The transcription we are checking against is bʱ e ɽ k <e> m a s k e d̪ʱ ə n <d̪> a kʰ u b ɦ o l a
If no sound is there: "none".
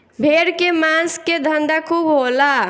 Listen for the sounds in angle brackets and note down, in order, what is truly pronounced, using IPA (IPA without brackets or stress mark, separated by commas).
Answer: e, d̪